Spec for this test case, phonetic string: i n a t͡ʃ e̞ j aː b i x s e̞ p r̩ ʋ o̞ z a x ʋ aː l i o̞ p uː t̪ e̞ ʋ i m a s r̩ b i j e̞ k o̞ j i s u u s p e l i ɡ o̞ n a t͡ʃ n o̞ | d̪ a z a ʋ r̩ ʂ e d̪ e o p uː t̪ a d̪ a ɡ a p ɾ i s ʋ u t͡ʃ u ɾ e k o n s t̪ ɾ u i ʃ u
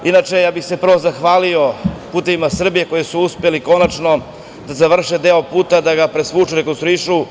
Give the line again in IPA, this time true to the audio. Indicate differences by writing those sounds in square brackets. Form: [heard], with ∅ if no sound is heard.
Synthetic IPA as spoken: i n a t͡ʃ e̞ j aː b i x s e̞ p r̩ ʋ o̞ z a x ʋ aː l i o̞ p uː t̪ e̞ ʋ i m a s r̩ b i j e̞ k o̞ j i s u u s p e l i [k] o̞ n a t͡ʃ n o̞ | d̪ a z a ʋ r̩ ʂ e d̪ e o p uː t̪ a d̪ a ɡ a p ɾ [e] s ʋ u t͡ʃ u ɾ e k o n s t̪ ɾ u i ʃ u